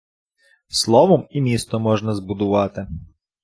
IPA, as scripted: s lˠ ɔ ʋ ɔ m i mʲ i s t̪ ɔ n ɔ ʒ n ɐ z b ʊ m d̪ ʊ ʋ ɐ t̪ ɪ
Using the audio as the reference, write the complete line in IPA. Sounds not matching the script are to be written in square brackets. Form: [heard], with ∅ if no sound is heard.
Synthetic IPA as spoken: s lˠ ɔ ʋ ɔ m i mʲ i s t̪ ɔ [m] ɔ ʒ n ɐ z b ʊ [∅] d̪ ʊ ʋ [ɑ] t̪ ɪ

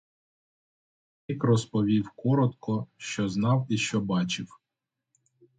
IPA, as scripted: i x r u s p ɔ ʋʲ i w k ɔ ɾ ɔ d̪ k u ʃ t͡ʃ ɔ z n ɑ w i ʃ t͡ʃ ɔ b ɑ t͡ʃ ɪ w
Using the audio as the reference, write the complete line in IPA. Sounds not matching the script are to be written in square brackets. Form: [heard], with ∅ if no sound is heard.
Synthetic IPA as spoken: i [k] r [ɔ] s p ɔ ʋʲ i w k ɔ ɾ ɔ [t̪] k [ɔ] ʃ t͡ʃ ɔ z n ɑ w i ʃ t͡ʃ ɔ b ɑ t͡ʃ ɪ w

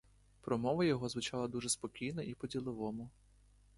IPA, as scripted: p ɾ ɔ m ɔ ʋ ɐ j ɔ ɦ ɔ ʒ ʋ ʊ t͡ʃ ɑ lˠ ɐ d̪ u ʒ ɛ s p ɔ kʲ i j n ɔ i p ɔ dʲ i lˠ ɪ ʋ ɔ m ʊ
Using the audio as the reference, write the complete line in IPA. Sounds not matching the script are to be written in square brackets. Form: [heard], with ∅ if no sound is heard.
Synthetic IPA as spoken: p ɾ ɔ m ɔ ʋ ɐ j ɔ ɦ ɔ [z] ʋ ʊ t͡ʃ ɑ lˠ ɐ d̪ u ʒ ɛ s p ɔ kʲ i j n ɔ i p ɔ dʲ i lˠ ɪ ʋ ɔ m ʊ

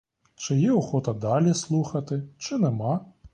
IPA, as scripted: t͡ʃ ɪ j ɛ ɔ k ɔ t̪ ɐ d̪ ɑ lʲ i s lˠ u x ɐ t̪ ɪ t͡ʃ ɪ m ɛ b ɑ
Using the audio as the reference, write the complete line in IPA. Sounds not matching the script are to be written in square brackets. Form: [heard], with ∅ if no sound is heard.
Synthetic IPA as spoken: t͡ʃ ɪ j ɛ ɔ [x] ɔ t̪ ɐ d̪ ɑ lʲ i s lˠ u x ɐ t̪ ɪ t͡ʃ ɪ [n] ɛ [m] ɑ

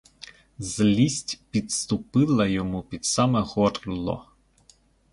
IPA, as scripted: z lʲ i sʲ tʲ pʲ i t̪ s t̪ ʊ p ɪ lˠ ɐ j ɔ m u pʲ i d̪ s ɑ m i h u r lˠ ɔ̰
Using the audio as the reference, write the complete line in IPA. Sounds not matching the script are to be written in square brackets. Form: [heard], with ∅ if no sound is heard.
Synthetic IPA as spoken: z lʲ i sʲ tʲ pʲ i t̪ s t̪ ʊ p ɪ lˠ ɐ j ɔ m u pʲ i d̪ s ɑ m [ɛ] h [ɔ] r lˠ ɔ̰

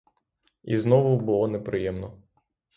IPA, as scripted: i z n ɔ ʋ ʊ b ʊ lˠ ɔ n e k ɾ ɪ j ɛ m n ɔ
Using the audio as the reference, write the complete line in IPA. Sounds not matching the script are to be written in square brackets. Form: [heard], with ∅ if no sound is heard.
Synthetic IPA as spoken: i z n ɔ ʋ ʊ b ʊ lˠ ɔ n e [p] ɾ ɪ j ɛ m n ɔ

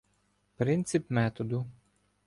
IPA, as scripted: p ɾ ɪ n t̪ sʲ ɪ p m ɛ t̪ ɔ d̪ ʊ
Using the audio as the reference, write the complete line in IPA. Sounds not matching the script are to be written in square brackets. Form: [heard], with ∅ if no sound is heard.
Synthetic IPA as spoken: p ɾ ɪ n t̪ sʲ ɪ p m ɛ t̪ ɔ d̪ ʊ

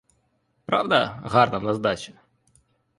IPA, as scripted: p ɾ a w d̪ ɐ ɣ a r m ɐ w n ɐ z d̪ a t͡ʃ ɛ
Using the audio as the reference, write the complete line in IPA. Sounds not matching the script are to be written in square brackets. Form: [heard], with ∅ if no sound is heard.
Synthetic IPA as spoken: p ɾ a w d̪ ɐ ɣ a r [n] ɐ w n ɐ z d̪ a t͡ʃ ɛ

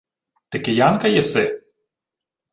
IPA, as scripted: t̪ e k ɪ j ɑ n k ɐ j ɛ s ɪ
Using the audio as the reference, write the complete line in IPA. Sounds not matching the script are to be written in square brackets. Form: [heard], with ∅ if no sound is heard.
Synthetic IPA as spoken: t̪ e k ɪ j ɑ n k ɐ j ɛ s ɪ

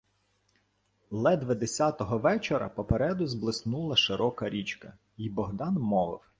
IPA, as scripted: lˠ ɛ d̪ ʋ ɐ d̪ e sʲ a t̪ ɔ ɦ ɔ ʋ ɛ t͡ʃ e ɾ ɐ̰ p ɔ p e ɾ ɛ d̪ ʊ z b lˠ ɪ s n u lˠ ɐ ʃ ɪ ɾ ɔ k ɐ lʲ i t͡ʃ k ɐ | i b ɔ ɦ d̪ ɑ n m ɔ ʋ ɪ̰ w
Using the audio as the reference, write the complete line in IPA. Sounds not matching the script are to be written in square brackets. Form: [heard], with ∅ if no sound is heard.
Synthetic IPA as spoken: lˠ ɛ d̪ ʋ ɐ d̪ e sʲ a t̪ ɔ ɦ ɔ ʋ ɛ t͡ʃ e ɾ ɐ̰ p ɔ p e ɾ ɛ d̪ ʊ z b lˠ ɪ s n u lˠ ɐ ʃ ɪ ɾ ɔ k ɐ [ɾʲ] i t͡ʃ k ɐ | i b ɔ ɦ d̪ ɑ n m ɔ ʋ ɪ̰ w

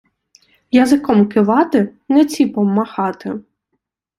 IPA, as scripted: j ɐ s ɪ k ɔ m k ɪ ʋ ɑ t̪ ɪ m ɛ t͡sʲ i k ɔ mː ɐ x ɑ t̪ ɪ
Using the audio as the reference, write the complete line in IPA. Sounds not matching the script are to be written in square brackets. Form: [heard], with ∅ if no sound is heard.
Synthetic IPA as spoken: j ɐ [z] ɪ k ɔ m k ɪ ʋ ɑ t̪ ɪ [n] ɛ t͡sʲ i [p] ɔ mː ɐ x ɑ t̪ ɪ

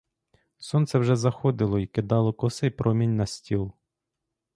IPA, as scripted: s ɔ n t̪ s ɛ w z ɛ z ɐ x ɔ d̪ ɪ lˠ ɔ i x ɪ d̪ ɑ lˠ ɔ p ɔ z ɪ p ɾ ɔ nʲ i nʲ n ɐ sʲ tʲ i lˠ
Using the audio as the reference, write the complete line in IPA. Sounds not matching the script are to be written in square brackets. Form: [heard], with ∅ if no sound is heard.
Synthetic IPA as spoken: s ɔ n t̪ s ɛ w [ʒ] ɛ z ɐ x ɔ d̪ ɪ lˠ ɔ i [k] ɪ d̪ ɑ lˠ ɔ [k] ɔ [s] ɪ p ɾ ɔ [mʲ] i nʲ n ɐ sʲ tʲ i lˠ

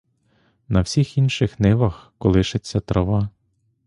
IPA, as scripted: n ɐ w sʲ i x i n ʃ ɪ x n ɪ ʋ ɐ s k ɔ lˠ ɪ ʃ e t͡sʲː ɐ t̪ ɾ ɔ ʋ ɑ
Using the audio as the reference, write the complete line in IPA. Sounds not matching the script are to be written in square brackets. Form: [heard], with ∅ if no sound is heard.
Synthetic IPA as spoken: n ɐ w sʲ i x i n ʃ ɪ x n ɪ ʋ ɐ [x] k ɔ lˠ ɪ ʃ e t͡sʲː ɐ t̪ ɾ ɔ ʋ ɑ

